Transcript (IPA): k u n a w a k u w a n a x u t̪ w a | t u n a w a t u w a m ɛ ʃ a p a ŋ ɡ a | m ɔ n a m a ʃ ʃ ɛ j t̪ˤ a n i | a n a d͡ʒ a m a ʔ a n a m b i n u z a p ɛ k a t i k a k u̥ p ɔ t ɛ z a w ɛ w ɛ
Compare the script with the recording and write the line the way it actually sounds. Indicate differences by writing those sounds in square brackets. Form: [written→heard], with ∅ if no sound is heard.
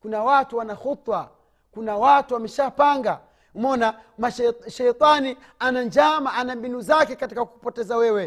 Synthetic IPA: k u n a w a [k→t] u w a n a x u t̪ w a | [t→k] u n a w a t u w a m ɛ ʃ a p a ŋ ɡ a | m ɔ n a m a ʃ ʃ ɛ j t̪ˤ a n i | a n a d͡ʒ a m a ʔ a n a m b i n u z a [p→k] ɛ k a t i k a k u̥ p ɔ t ɛ z a w ɛ w ɛ